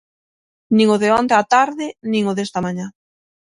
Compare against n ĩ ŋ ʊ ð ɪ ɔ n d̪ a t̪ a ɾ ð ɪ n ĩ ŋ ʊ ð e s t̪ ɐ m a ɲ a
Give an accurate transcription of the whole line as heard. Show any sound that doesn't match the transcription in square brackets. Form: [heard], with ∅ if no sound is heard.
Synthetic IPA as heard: n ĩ ŋ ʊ ð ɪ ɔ n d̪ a t̪ a ɾ ð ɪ n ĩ ŋ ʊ ð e s t̪ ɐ m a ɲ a